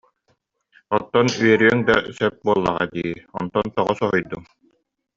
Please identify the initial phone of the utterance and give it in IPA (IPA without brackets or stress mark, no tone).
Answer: ɔ